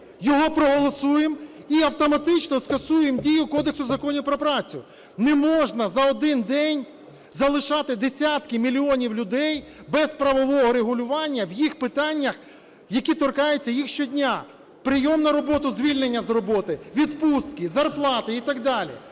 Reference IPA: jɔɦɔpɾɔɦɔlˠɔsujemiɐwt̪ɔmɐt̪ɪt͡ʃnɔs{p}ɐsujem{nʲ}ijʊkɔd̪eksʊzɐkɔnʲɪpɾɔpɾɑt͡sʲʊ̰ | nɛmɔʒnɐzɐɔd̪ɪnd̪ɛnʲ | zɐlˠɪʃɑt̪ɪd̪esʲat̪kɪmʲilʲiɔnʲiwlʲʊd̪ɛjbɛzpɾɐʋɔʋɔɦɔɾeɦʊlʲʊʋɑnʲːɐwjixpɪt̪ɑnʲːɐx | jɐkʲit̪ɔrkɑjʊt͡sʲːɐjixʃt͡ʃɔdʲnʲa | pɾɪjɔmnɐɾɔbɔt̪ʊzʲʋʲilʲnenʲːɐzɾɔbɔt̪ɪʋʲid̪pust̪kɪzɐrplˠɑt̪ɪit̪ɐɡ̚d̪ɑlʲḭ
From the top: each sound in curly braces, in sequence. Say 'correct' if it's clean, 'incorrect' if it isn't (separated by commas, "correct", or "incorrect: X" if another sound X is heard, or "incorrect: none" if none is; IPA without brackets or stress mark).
incorrect: k, incorrect: dʲ